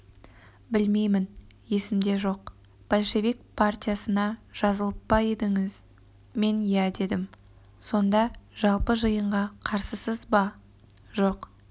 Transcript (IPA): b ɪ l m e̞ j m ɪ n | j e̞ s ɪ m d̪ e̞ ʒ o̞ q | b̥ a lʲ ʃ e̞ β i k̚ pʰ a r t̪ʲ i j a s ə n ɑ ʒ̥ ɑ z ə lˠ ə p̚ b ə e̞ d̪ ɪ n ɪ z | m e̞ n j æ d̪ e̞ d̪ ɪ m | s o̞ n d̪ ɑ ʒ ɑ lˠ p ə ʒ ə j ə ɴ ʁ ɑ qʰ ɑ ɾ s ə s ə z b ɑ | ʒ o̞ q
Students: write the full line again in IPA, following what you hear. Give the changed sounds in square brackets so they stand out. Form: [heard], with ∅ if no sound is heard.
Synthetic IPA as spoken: b ɪ l m e̞ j m ɪ n | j e̞ s ɪ m d̪ e̞ ʒ o̞ q | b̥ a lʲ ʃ e̞ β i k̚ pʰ a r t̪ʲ i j a s ə n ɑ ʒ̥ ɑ z ə lˠ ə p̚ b [ɑ] e̞ d̪ ɪ [ŋ] ɪ z | m e̞ n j æ d̪ e̞ d̪ ɪ m | s o̞ n d̪ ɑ ʒ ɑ lˠ p ə ʒ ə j ə ɴ ʁ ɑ qʰ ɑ ɾ s ə s ə z b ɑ | ʒ o̞ q